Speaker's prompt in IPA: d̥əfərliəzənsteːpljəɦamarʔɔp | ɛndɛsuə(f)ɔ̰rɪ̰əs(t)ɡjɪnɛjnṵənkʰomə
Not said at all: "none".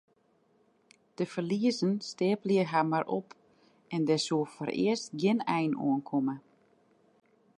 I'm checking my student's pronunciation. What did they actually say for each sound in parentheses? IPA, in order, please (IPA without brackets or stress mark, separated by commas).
f, t